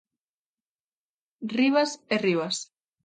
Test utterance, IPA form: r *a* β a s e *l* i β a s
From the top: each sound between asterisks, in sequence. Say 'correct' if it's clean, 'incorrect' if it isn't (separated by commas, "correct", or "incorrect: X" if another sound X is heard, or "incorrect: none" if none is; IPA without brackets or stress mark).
incorrect: i, incorrect: r